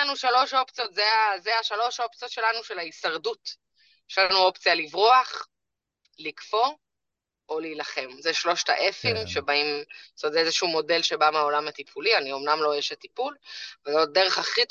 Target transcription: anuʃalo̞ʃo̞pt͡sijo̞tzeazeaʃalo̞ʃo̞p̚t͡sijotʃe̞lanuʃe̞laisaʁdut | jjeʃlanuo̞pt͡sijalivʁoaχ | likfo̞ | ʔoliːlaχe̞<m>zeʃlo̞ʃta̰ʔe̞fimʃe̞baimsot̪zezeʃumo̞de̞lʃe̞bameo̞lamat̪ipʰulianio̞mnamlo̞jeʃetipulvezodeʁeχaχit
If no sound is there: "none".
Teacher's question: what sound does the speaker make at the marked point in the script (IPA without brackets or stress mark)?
m